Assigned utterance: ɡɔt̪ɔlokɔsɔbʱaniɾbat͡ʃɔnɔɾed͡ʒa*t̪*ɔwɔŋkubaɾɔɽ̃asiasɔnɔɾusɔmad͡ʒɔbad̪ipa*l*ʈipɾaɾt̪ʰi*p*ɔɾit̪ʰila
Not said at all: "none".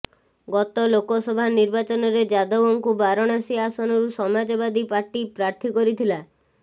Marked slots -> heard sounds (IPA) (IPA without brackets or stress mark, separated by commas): d̪, ɾ, k